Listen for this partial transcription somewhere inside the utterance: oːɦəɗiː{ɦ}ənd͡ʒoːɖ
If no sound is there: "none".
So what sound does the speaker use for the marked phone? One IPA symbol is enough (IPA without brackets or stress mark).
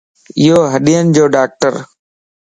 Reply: none